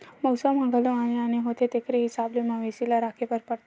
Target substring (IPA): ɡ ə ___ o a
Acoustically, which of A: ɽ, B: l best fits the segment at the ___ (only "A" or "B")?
B